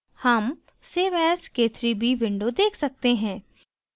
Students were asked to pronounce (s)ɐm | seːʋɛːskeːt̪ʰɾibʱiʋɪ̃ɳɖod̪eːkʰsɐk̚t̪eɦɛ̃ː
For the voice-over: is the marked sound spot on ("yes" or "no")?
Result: no